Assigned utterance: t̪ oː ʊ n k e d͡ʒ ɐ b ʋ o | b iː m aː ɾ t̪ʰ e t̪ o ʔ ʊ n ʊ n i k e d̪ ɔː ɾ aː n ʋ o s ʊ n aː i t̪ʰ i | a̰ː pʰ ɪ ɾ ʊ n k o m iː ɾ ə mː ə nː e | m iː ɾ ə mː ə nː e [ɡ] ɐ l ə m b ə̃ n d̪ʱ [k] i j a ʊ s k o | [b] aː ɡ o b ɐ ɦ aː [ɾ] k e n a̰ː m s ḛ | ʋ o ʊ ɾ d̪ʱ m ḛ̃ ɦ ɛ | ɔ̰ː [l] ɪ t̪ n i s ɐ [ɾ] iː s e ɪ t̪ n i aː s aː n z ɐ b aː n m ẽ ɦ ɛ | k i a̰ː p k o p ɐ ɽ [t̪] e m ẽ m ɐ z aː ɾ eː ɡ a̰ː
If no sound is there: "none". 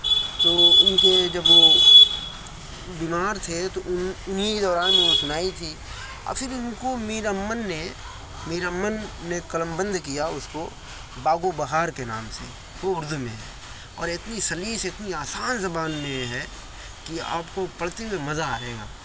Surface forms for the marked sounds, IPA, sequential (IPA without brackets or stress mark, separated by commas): k, k, b, ɾ, ɾ, l, t̪